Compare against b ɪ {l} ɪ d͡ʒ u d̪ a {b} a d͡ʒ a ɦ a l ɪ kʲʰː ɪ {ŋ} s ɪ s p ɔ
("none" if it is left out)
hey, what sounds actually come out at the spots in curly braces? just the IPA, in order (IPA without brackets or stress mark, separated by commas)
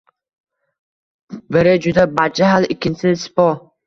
ɾ, b, n